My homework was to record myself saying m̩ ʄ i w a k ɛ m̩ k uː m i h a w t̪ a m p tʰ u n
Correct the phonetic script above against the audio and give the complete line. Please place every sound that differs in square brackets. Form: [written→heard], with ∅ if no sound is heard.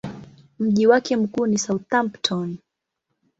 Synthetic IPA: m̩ ʄ i w a k ɛ m̩ k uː [m→n] i [h→s] a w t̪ a m p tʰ [u→ɔ] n